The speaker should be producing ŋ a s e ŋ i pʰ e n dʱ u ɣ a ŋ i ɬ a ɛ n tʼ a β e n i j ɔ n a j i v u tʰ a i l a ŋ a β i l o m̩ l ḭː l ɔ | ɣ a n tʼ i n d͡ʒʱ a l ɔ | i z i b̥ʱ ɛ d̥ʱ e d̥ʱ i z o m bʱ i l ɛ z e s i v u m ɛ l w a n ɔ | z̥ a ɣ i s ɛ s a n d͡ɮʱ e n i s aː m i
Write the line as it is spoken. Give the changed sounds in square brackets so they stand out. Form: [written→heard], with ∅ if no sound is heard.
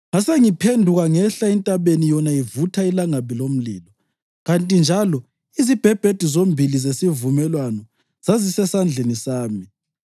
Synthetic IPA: ŋ a s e ŋ i pʰ e n dʱ u ɣ a ŋ [i→ɛ] ɬ a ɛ n tʼ a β e n i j ɔ n a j i v u tʰ a i l a ŋ a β i l o m̩ l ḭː l ɔ | ɣ a n tʼ i n d͡ʒʱ a l ɔ | i z i b̥ʱ ɛ [d̥ʱ→b̥ʱ] e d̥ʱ i z o m bʱ i l [ɛ→i] z e s i v u m ɛ l w a n ɔ | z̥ a [ɣ→z] i s ɛ s a n d͡ɮʱ e n i s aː m i